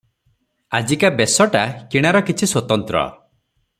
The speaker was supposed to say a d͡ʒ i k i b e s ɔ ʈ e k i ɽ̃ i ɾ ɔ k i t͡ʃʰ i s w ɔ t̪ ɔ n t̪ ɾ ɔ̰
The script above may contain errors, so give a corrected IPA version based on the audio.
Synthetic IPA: a d͡ʒ i k a b e s ɔ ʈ a k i ɽ̃ a ɾ ɔ k i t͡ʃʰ i s w ɔ t̪ ɔ n t̪ ɾ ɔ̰